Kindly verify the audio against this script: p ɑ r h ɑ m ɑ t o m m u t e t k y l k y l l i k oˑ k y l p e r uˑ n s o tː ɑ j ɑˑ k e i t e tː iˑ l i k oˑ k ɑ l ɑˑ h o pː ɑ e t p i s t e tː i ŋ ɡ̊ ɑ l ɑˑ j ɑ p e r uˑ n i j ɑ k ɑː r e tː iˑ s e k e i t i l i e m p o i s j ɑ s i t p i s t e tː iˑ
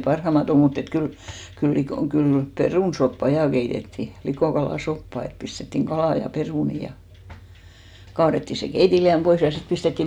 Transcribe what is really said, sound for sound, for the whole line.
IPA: p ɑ r h ɑ m ɑ t o m m u t e t k y l k y l l i k oˑ k y l p e r uˑ n s o pː ɑ j ɑˑ k e i t e tː iˑ l i k oˑ k ɑ l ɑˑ s o pː ɑ e t p i s t e tː i ŋ ɡ̊ ɑ l ɑˑ j ɑ p e r uˑ n i j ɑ k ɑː r e tː iˑ s e k e i t i l i æ m p o i s j ɑ s i t p i s t e tː iˑ